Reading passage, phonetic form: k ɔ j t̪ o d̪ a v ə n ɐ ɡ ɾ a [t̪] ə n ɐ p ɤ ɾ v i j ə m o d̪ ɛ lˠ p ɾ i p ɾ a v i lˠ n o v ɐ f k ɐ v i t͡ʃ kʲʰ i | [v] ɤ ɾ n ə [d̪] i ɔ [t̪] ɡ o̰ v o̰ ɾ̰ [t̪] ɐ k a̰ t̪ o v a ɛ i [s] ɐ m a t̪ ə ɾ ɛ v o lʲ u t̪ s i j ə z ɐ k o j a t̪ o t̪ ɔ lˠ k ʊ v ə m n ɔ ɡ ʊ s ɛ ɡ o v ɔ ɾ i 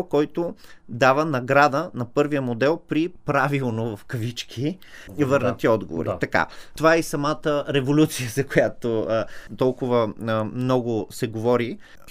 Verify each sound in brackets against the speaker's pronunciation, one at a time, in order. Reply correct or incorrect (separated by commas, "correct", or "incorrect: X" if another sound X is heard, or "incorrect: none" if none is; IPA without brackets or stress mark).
incorrect: d̪, correct, incorrect: t̪, incorrect: d̪, correct, correct